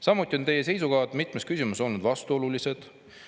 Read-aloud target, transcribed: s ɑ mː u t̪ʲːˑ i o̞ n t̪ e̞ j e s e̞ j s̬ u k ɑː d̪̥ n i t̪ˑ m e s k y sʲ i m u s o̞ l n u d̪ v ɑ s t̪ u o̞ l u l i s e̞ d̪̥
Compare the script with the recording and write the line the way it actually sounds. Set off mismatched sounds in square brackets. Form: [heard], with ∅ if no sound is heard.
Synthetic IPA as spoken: s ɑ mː u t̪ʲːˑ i o̞ n t̪ e̞ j e s e̞ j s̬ u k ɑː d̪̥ [m] i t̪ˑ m e s k y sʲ i m u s o̞ l n u d̪ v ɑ s t̪ u o̞ l u l i s e̞ d̪̥

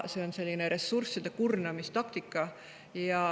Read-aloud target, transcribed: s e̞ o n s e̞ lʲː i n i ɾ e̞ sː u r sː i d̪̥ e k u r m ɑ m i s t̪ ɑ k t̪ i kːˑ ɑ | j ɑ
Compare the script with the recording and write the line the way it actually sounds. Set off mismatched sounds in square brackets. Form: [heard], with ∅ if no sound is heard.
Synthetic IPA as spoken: s e̞ o n s e̞ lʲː i n [e] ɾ e̞ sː u r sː i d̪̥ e k u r [n] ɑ m i s t̪ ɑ k t̪ i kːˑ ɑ | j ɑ

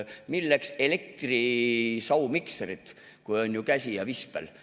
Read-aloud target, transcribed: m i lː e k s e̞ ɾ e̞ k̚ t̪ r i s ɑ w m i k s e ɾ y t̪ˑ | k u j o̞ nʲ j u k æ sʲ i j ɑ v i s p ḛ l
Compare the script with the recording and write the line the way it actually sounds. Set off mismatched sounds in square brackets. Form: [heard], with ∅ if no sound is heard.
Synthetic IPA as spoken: m i lː e k s e̞ [l] e̞ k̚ t̪ r i s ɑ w m i k s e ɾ [i] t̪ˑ | k u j o̞ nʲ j u k æ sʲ i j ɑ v i s p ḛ l

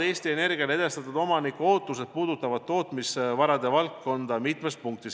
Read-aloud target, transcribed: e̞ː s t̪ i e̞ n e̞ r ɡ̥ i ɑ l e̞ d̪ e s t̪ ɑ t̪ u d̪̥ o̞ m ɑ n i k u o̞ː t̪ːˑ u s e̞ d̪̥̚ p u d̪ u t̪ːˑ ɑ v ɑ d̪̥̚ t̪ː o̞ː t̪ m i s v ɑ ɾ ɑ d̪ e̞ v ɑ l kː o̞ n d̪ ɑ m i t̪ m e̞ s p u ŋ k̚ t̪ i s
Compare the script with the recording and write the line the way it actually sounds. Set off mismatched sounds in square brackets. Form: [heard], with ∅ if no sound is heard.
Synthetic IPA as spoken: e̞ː s t̪ i e̞ n e̞ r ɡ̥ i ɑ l e̞ d̪ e s t̪ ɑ t̪ u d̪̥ o̞ m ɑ n i k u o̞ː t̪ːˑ u s e̞ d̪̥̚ p [uː] d̪ u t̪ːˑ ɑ v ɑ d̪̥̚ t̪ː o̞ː t̪ m i s v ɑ ɾ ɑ d̪ e̞ v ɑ l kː o̞ n d̪ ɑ m i t̪ m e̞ s p u ŋ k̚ t̪ i s

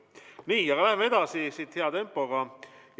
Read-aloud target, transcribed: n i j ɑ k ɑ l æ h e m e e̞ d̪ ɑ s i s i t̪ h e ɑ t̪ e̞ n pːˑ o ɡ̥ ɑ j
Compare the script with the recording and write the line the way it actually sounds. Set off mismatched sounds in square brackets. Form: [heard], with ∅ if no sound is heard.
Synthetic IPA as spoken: n [iː] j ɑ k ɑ l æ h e m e e̞ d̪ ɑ s i s i t̪ h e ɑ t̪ e̞ [m] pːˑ o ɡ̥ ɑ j

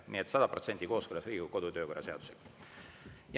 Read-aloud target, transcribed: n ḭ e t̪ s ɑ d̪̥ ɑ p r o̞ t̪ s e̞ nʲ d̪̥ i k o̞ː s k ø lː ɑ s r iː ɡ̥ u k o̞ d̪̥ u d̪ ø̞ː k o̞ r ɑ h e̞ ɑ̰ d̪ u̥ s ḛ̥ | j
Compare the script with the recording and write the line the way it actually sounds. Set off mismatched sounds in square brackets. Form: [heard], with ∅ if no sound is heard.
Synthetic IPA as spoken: n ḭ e t̪ s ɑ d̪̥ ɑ p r o̞ t̪ s e̞ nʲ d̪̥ i k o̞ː s k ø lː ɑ s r iː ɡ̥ u k o̞ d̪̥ u [t̪] ø̞ː k o̞ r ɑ [s] e̞ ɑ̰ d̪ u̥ s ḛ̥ | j

